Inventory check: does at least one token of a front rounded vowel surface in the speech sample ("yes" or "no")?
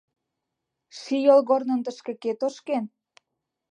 no